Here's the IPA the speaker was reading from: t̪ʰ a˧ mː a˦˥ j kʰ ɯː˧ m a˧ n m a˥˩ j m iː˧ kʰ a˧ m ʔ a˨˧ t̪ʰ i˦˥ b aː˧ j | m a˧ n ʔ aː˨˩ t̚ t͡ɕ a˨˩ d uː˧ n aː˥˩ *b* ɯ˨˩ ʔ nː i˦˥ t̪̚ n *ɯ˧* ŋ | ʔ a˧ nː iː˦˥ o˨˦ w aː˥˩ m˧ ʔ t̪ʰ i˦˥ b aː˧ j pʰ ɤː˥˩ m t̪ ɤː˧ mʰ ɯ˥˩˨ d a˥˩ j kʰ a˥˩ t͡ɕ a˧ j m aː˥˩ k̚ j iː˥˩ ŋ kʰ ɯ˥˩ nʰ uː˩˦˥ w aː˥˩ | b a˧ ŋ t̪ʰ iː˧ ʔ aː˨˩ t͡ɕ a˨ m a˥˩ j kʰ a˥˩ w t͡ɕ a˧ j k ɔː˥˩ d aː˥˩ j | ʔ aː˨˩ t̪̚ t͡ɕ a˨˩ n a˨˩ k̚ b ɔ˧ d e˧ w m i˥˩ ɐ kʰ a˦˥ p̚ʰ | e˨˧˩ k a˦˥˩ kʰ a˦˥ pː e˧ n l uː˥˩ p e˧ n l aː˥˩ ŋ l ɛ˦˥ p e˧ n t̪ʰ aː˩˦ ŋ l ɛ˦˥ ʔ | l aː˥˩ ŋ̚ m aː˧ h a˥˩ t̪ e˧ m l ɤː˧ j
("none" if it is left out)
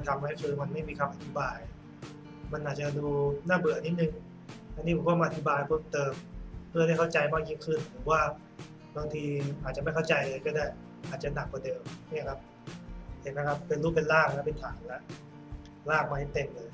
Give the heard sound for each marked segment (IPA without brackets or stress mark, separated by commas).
b, ɯ˧